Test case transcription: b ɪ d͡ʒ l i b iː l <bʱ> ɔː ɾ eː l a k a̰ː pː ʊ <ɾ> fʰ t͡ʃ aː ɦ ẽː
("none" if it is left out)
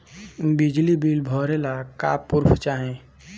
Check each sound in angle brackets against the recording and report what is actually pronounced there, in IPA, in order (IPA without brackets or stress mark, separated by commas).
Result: bʱ, ɾ